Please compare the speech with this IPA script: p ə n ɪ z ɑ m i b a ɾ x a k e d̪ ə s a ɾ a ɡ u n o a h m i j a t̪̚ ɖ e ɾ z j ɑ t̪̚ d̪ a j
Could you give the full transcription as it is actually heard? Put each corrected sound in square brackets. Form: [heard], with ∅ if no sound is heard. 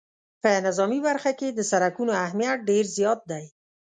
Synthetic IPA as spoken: p ə n ɪ z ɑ m i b a ɾ x a k e d̪ ə s a ɾ a [k] u n o a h m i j a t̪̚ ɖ e ɾ z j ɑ t̪̚ d̪ a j